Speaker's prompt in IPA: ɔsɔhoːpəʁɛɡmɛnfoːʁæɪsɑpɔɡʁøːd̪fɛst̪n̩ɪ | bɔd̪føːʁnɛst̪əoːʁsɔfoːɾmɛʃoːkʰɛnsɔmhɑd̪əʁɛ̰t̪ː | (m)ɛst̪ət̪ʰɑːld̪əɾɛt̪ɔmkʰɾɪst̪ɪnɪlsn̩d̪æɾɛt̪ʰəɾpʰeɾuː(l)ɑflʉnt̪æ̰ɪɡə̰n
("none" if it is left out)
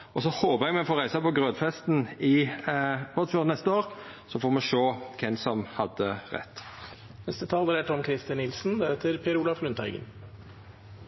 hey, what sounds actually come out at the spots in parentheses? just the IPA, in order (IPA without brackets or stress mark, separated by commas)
n, l